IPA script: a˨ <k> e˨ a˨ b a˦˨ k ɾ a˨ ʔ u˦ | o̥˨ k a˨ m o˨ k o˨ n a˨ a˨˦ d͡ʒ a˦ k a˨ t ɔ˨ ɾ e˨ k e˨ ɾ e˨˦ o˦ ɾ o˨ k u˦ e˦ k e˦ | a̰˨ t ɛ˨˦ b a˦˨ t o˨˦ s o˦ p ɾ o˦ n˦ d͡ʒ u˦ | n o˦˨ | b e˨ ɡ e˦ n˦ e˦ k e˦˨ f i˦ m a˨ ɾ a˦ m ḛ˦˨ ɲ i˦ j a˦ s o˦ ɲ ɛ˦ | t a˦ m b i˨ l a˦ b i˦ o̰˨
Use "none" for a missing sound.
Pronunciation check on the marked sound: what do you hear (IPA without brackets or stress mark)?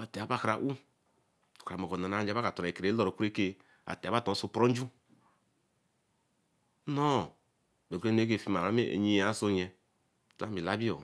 t